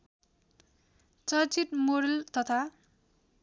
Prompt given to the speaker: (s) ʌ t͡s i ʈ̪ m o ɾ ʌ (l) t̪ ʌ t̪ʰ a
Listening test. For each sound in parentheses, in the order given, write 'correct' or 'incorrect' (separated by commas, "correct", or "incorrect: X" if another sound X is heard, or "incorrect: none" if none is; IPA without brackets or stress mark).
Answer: incorrect: t͡s, correct